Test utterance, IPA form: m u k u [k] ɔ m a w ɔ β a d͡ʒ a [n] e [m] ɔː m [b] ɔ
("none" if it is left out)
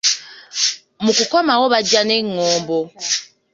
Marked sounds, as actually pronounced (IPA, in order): k, n, ŋ, b

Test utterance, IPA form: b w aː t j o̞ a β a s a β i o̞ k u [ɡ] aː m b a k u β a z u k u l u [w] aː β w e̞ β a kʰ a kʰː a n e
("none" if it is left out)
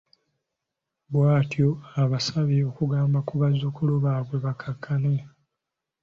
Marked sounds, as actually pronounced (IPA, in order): ɡ, β

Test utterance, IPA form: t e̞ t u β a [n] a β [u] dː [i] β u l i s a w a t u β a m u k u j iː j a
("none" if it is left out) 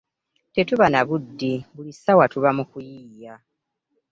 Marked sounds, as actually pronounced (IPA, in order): n, u, i

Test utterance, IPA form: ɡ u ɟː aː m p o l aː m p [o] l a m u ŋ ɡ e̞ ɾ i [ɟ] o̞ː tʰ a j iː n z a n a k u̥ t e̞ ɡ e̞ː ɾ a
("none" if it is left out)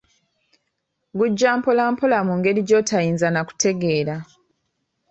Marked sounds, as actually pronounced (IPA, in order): o, ɟ

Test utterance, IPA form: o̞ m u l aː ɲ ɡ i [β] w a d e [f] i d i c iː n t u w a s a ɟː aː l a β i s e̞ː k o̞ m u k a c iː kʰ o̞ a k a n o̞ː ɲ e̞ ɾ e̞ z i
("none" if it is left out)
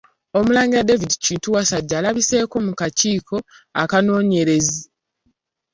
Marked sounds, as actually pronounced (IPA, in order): none, v

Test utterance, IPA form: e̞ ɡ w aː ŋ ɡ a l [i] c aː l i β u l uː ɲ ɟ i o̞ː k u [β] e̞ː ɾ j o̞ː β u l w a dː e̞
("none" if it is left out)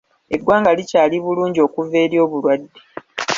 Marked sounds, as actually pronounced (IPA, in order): i, v

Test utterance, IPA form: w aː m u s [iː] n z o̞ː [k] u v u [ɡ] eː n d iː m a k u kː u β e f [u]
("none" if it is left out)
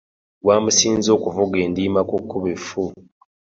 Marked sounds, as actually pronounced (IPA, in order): iː, k, ɡ, u

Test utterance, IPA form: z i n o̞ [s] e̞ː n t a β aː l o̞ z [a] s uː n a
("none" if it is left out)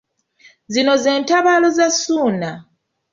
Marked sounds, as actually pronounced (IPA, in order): z, a

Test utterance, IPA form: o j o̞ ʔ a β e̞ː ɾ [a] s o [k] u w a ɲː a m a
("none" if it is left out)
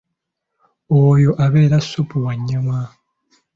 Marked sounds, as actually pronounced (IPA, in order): a, p

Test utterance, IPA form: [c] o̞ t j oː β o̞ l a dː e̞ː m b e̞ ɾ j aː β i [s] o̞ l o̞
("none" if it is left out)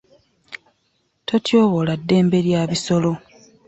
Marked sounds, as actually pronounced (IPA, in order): t, s

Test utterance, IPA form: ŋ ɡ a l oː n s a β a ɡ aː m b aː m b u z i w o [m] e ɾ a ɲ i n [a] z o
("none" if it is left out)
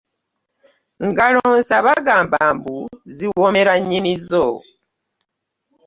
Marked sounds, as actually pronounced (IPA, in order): m, i

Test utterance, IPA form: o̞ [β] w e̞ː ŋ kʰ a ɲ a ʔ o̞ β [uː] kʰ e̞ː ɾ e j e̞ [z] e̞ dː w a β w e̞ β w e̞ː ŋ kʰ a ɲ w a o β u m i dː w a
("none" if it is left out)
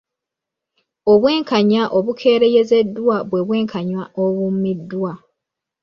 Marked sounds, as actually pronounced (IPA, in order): β, u, z

